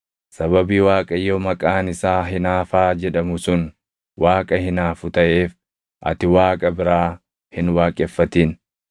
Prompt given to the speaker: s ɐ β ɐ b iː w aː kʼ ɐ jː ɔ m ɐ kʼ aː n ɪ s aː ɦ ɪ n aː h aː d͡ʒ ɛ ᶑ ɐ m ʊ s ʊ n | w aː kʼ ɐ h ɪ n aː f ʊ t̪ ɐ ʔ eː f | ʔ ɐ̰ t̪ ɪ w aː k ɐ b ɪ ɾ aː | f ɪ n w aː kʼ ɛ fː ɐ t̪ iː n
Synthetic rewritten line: s ɐ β ɐ b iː w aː kʼ ɐ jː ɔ m ɐ kʼ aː n ɪ s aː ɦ ɪ n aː f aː d͡ʒ ɛ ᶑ ɐ m ʊ s ʊ n | w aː kʼ ɐ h ɪ n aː f ʊ t̪ ɐ ʔ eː f | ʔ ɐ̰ t̪ ɪ w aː kʼ ɐ b ɪ ɾ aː | h ɪ n w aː kʼ ɛ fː ɐ t̪ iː n